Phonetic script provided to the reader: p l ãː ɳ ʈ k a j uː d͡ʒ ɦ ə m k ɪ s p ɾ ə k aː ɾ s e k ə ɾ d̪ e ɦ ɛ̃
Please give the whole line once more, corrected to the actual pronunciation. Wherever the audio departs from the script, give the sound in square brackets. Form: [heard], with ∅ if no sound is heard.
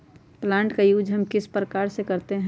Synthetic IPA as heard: p l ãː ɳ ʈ k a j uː d͡ʒ ɦ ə m k ɪ s p ɾ ə k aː ɾ s e k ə ɾ [t̪] e ɦ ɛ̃